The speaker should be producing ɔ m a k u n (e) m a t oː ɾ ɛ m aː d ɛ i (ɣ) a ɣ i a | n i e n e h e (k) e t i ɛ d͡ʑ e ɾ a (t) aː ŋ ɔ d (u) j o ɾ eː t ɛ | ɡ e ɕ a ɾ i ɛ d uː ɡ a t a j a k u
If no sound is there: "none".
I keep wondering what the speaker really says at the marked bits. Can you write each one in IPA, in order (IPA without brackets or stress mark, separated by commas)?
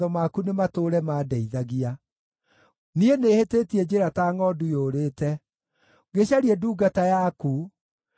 e, ð, t, t, u